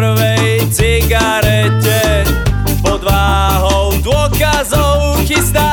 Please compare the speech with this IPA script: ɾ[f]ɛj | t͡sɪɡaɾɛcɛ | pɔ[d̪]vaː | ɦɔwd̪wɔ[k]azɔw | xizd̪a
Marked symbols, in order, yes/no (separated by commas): no, yes, yes